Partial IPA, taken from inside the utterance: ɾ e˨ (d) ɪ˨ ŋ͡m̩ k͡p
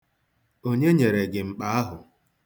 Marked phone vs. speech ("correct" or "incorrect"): incorrect